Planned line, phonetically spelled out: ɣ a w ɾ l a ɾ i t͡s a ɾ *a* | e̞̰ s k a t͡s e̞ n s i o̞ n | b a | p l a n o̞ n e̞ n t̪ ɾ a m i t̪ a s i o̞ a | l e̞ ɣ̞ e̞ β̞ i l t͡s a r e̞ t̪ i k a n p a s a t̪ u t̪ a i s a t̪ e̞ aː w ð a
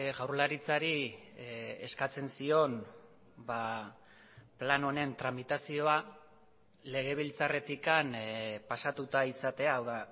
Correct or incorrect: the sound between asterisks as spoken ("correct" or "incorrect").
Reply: incorrect